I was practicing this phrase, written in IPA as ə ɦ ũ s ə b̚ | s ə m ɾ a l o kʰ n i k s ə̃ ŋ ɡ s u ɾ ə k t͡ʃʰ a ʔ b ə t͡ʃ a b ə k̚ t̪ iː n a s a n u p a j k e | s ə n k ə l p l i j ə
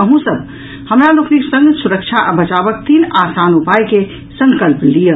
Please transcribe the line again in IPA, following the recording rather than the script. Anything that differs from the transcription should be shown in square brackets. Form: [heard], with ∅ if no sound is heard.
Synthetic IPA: ə ɦ ũ s ə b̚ | [h] ə m ɾ a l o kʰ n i k s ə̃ ŋ ɡ s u ɾ ə k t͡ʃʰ a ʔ b ə t͡ʃ a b ə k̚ t̪ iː n a s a n u p a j k e | s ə [ŋ] k ə l p l i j ə